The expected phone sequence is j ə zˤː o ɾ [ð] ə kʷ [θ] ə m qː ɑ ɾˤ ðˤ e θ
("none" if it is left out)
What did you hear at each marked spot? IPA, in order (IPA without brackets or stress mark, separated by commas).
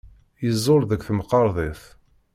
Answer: ð, θ